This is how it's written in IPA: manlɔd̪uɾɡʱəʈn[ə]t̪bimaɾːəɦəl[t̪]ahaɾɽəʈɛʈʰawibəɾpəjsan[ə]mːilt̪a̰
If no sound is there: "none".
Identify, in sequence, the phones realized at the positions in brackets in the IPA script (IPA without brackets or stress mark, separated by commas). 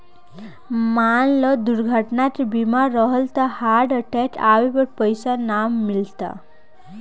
a, t̪, a